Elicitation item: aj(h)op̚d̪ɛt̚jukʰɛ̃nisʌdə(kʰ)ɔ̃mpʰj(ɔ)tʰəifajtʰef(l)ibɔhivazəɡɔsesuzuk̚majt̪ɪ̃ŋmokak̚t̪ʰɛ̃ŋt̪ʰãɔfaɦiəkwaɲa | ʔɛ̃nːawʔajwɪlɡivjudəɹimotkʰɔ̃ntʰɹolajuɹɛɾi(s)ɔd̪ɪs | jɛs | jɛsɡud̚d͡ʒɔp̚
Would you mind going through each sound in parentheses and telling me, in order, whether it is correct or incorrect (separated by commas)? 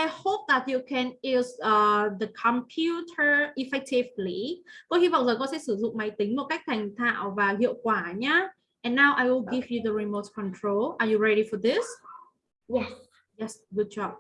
correct, correct, incorrect, correct, incorrect